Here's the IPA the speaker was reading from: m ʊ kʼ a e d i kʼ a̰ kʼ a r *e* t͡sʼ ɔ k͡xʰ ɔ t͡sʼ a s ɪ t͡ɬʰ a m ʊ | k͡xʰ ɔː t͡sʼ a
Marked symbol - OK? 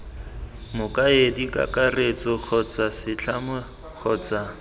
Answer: yes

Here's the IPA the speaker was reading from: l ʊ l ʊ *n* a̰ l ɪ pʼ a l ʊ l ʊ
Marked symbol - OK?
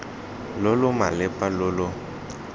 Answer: no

